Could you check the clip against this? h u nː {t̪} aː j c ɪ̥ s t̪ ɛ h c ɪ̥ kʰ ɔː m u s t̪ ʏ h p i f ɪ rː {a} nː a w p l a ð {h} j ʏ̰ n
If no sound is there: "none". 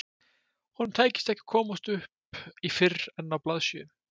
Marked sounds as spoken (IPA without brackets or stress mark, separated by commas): t̪ʰ, ɛ, s